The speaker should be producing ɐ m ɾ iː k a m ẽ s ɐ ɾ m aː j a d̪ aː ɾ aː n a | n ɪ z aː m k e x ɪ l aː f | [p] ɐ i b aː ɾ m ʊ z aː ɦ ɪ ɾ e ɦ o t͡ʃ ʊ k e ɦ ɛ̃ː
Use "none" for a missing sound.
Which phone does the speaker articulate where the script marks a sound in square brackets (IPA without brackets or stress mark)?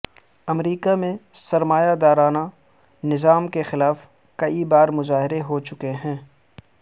k